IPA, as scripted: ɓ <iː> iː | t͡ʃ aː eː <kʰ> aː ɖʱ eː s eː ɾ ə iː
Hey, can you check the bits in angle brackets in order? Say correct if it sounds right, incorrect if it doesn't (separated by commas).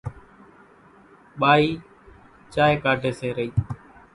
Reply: incorrect, incorrect